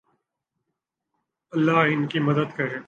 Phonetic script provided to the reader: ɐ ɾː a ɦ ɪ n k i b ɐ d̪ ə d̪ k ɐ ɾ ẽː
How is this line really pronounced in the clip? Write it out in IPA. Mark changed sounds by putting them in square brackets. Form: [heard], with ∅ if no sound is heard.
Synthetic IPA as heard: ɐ [lː] a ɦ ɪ n k i [m] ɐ d̪ ə d̪ k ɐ ɾ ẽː

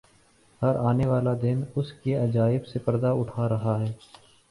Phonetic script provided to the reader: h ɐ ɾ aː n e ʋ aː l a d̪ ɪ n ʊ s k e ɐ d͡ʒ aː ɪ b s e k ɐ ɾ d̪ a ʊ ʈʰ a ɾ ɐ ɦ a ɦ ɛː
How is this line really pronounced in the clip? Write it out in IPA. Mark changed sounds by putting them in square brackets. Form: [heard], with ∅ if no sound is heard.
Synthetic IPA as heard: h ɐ ɾ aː n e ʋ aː l a d̪ ɪ n ʊ s k e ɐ d͡ʒ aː ɪ b s e [p] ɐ ɾ d̪ a ʊ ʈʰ a ɾ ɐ ɦ a ɦ ɛː

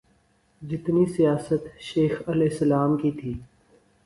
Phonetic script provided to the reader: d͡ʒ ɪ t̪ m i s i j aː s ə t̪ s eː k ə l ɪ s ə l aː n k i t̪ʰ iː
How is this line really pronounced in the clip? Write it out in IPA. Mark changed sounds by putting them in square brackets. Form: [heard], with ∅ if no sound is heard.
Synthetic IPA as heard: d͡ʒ ɪ t̪ [n] i s i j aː s ə t̪ [ʃ] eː [x] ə l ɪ s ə l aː [m] k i t̪ʰ iː

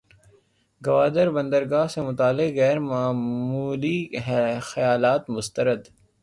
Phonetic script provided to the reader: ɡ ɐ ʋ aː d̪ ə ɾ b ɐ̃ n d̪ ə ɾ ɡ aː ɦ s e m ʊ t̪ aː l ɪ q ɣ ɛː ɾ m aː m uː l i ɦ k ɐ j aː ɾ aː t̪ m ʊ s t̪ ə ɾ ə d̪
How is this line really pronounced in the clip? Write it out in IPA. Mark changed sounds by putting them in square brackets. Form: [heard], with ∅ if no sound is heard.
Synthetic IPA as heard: ɡ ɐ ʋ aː d̪ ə ɾ b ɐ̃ n d̪ ə ɾ ɡ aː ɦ s e m ʊ t̪ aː l ɪ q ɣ ɛː ɾ m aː m uː l i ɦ [x] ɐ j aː [l] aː t̪ m ʊ s t̪ ə ɾ ə d̪

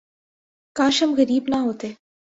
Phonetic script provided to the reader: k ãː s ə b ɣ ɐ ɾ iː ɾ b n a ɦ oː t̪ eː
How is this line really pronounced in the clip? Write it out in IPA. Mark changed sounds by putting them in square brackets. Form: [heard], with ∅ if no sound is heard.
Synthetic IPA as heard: k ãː [ʃ] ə [m] ɣ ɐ ɾ iː [∅] b n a ɦ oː t̪ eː

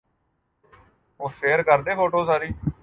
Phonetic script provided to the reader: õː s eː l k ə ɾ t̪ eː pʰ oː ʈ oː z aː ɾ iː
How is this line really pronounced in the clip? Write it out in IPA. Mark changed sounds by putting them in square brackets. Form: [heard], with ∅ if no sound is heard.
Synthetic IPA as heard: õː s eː [ɾ] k ə ɾ [d̪] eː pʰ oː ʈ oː [s] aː ɾ iː

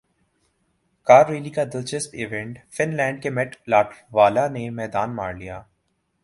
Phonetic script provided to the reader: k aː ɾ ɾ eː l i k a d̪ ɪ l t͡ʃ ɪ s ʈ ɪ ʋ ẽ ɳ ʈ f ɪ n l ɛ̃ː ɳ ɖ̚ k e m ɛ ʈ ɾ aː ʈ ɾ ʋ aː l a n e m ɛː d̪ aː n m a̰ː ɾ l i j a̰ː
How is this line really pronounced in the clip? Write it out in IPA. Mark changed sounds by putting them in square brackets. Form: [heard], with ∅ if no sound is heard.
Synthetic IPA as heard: k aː ɾ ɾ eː l i k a d̪ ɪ l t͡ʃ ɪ s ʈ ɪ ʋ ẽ ɳ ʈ f ɪ n l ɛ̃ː ɳ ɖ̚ k e m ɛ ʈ [l] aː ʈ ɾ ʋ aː l a n e m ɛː d̪ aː n m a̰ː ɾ l i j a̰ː

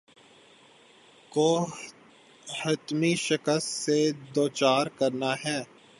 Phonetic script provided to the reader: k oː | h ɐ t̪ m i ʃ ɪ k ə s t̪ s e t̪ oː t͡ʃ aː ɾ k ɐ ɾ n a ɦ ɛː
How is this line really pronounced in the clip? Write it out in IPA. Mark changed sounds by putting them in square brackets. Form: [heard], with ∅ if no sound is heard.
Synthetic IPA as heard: k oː | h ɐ t̪ m i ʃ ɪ k ə s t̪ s e [d̪] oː t͡ʃ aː ɾ k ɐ ɾ n a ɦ ɛː

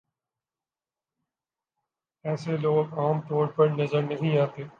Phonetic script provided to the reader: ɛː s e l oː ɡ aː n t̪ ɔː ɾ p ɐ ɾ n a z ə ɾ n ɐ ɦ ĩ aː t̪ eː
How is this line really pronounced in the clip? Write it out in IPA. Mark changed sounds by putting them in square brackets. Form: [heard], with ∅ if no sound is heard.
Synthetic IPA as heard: ɛː s e l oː ɡ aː [m] t̪ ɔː ɾ p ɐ ɾ n [ɐ] z ə ɾ n ɐ ɦ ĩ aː t̪ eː

